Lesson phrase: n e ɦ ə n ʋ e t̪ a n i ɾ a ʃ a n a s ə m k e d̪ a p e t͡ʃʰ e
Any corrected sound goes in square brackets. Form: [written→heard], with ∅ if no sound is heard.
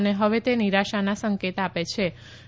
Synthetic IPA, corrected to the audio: n e ɦ ə [n→∅] ʋ e t̪ [a→e] n i ɾ a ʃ a n a s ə [m→ŋ] k e [d̪→t̪] a p e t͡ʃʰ e